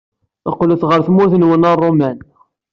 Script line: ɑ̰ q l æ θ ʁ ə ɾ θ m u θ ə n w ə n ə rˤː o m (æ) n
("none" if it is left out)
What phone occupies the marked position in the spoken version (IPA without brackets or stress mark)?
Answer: æ